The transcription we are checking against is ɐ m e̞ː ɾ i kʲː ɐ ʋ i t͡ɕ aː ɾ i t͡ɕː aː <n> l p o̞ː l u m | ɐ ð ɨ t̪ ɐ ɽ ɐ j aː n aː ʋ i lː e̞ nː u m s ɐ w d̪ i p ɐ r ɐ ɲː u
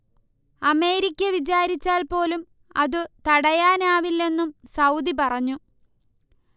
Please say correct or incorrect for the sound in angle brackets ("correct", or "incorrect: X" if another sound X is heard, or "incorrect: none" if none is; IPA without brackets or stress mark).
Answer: incorrect: none